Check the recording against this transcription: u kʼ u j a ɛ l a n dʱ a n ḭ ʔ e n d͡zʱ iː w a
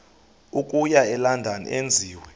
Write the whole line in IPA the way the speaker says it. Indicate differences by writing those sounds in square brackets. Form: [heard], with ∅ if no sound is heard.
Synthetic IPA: u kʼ u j a ɛ l a n dʱ a n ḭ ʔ e n d͡zʱ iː w [ɛ]